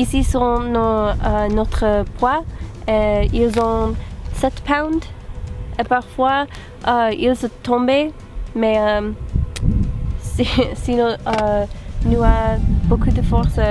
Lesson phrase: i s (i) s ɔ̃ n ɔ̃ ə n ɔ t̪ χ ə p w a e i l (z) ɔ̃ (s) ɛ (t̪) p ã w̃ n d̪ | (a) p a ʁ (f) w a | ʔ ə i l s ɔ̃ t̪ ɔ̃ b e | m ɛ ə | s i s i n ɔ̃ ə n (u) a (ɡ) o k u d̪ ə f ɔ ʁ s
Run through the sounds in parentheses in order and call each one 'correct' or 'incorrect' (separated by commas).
correct, correct, correct, correct, incorrect, correct, correct, incorrect